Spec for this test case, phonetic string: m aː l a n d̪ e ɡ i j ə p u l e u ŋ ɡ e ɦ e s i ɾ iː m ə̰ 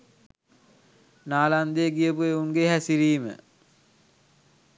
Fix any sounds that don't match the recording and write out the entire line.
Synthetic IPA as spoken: n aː l a n d̪ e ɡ i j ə p u e u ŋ ɡ e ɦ æ s i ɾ iː m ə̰